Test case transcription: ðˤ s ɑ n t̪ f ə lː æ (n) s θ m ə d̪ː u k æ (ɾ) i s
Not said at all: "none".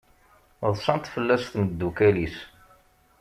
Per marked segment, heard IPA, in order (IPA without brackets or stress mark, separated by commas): none, l